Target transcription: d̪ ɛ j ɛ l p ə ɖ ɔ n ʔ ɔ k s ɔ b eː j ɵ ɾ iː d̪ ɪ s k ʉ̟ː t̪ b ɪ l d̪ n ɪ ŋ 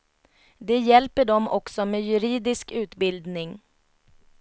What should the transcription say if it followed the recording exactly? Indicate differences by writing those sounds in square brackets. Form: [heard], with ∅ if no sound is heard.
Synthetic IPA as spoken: d̪ ɛ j ɛ l p ə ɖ ɔ [m] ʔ ɔ k s ɔ [m] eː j ɵ ɾ iː d̪ ɪ s k ʉ̟ː t̪ b ɪ l d̪ n ɪ ŋ